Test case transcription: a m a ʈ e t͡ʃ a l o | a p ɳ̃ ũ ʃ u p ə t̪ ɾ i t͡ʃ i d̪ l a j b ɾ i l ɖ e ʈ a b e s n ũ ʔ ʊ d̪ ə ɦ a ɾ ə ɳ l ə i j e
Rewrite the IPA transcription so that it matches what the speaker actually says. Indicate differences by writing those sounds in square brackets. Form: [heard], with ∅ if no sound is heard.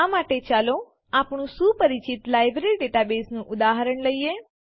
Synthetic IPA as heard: a m a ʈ e t͡ʃ a l o | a p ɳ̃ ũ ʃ u p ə [∅] ɾ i t͡ʃ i [t̪] l a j b ɾ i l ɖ e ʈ a b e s n ũ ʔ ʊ d̪ [a] ɦ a ɾ ə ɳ l ə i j e